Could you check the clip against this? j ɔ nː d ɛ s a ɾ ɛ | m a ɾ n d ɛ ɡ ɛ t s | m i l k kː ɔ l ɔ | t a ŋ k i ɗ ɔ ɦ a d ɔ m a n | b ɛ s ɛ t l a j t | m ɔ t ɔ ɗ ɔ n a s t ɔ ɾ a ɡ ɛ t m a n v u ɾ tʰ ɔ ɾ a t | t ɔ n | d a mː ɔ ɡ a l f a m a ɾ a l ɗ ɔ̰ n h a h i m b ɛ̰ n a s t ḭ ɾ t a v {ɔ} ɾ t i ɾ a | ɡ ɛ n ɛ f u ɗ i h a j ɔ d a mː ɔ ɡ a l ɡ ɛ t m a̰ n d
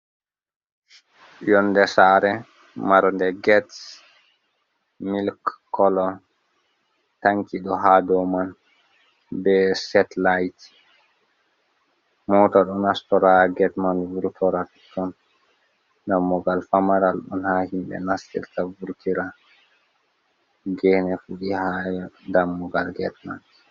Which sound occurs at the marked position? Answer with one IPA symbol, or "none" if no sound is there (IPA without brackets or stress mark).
u